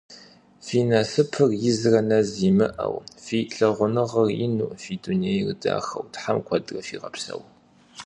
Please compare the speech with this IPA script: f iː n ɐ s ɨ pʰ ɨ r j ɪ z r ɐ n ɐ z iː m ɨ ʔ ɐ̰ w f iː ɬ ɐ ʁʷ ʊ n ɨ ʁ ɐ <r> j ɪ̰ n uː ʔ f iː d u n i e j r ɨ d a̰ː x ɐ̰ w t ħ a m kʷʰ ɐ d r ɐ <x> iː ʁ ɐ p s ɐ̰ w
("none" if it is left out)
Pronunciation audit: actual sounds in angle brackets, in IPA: r, f

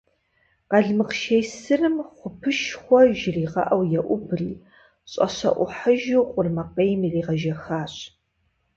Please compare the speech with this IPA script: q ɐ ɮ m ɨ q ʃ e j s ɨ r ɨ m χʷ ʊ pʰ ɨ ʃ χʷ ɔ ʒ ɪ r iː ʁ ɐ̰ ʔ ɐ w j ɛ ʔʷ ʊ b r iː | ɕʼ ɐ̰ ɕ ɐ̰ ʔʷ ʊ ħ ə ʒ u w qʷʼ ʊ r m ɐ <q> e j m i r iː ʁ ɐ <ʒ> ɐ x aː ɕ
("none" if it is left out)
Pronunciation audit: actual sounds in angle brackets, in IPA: q, ʒ

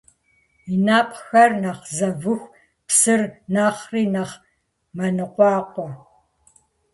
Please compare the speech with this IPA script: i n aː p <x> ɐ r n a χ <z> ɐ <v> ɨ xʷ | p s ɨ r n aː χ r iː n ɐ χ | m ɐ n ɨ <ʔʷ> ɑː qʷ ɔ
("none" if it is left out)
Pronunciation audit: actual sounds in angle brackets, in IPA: x, z, v, qʷ

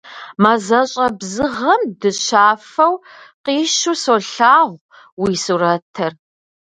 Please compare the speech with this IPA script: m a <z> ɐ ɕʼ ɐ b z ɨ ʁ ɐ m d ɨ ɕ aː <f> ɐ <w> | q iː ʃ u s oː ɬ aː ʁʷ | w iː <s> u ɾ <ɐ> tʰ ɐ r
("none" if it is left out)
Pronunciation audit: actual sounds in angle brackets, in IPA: z, f, w, s, ɐ

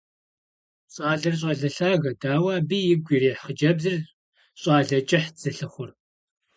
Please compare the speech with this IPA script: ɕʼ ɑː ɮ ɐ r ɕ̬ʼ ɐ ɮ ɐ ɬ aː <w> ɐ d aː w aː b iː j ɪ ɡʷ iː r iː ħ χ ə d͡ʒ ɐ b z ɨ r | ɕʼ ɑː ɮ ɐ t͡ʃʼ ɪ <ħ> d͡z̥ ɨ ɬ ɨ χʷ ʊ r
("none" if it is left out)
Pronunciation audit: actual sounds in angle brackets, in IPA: ɣ, ħ

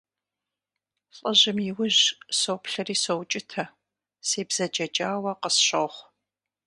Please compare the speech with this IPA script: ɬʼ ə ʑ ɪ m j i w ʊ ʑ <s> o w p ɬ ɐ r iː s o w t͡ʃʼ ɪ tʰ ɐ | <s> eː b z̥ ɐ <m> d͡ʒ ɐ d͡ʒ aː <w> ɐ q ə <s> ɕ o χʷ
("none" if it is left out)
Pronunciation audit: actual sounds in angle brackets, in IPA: s, s, none, w, s

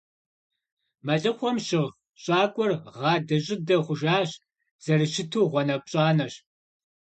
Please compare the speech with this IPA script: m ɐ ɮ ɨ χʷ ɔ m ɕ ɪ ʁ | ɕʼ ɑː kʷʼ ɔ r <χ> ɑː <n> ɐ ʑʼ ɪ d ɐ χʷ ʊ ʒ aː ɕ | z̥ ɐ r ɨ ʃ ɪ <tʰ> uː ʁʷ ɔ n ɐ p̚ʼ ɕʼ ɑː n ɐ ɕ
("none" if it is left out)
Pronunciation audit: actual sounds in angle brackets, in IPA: ʁ, d, tʰ

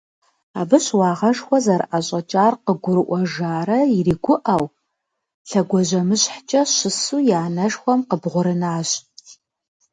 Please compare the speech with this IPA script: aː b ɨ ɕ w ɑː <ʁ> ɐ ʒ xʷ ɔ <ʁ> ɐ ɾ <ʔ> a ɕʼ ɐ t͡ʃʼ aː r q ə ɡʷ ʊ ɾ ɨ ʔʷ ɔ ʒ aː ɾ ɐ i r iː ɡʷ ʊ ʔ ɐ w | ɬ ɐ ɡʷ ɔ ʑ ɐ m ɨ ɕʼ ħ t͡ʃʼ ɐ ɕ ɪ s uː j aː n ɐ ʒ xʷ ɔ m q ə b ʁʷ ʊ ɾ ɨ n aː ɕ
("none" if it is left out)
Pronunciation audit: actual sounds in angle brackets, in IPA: ʁ, z, ʔ

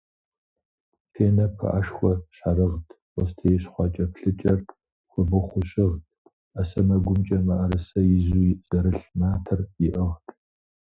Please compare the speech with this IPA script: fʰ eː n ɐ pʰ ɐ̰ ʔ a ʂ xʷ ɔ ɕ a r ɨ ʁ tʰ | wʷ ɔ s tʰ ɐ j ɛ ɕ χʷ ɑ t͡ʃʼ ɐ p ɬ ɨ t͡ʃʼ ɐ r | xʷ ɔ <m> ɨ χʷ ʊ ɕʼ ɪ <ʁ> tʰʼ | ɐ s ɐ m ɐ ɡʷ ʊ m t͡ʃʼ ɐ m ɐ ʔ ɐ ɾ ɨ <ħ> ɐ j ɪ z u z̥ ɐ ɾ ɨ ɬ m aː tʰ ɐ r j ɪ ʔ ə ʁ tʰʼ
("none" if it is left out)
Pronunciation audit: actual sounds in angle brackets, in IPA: b, ʁ, s

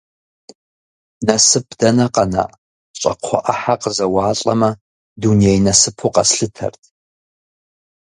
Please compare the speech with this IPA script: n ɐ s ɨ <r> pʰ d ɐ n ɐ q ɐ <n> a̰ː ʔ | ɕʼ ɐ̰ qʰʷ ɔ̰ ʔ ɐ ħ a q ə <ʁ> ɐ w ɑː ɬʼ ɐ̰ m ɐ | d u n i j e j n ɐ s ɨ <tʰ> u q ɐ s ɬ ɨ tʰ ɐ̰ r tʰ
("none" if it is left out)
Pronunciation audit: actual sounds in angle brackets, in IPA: none, n, z, pʰ

